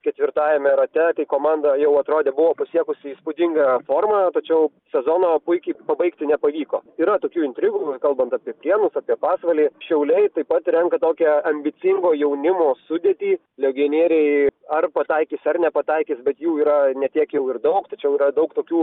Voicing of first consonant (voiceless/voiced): voiceless